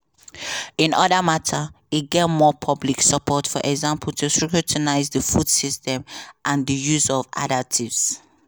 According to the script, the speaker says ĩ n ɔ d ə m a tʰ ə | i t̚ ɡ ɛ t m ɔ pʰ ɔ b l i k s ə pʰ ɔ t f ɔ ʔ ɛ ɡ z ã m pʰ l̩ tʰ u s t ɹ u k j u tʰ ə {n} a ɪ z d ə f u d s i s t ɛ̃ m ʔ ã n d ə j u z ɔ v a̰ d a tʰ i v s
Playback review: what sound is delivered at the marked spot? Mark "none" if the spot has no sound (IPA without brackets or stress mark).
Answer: n